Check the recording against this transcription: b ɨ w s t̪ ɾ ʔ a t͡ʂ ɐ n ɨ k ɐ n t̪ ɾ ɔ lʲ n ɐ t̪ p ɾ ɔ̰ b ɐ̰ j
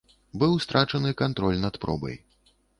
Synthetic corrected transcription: b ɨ w s t̪ ɾ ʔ a t͡ʂ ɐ n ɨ k a n t̪ ɾ ɔ lʲ n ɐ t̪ p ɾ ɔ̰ b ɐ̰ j